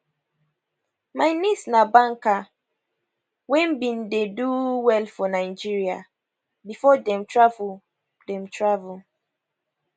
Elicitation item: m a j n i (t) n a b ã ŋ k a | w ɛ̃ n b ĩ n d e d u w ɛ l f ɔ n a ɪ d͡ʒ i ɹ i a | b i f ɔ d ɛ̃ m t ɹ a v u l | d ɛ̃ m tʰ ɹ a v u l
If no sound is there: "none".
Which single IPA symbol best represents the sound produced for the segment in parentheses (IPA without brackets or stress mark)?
s